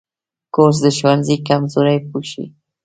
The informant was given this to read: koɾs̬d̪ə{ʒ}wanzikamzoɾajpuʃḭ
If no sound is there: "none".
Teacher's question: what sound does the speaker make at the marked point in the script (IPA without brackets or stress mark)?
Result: ʃ